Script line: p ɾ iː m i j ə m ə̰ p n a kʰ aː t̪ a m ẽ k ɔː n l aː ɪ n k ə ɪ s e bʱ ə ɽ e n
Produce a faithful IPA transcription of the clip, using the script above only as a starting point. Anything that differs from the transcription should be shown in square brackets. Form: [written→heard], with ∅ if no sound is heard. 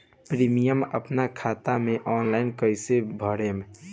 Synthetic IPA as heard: p ɾ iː m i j ə m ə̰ p n a kʰ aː t̪ a m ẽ [k→ʔ] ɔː n l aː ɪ n k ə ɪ s e bʱ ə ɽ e [n→m]